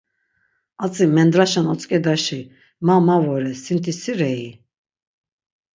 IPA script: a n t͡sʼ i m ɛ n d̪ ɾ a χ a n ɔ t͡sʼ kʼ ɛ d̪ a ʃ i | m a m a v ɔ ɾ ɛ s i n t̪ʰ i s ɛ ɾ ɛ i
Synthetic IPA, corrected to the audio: a t͡sʼ i m ɛ n d̪ ɾ a ʃ a n ɔ t͡sʼ kʼ ɛ d̪ a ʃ i | m a m a v ɔ ɾ ɛ s i n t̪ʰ i s i ɾ ɛ i